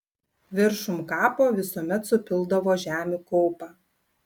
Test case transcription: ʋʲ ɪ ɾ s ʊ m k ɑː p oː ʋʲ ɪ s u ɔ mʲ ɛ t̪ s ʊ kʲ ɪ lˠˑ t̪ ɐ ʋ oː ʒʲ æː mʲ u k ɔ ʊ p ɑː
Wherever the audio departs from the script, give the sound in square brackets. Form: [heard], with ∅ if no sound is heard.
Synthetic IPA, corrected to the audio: ʋʲ ɪ ɾ [ʃ] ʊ m k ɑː p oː ʋʲ ɪ s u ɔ mʲ ɛ t̪ s ʊ [pʲ] ɪ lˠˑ [d̪] ɐ ʋ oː ʒʲ æː mʲ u k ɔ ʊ p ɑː